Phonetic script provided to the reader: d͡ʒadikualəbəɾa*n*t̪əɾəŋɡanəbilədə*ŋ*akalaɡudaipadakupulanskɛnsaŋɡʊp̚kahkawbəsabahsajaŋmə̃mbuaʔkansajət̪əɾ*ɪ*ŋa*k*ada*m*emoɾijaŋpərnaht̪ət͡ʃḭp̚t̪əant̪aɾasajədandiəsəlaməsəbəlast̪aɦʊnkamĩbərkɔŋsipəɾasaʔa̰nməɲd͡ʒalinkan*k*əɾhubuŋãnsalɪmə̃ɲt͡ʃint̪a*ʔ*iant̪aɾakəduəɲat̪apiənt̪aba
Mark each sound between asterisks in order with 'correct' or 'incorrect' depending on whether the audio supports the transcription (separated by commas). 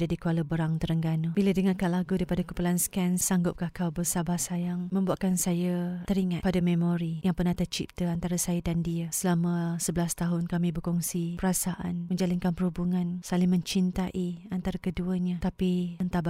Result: incorrect, correct, incorrect, incorrect, correct, incorrect, correct